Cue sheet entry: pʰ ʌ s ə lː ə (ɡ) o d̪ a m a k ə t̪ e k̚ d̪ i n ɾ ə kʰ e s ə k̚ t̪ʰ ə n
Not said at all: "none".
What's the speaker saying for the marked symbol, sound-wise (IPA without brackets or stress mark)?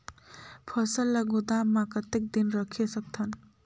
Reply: ɡ